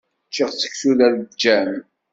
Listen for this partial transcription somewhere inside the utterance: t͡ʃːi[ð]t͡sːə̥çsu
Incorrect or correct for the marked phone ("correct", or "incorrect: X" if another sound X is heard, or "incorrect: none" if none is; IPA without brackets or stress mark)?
incorrect: ʁ